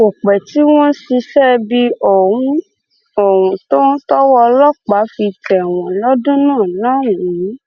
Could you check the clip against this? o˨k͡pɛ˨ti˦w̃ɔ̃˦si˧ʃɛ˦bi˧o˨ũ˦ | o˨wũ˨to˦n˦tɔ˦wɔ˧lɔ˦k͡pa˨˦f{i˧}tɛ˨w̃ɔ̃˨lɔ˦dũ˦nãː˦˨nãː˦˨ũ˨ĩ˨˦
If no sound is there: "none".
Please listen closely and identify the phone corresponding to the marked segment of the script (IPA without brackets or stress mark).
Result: i˧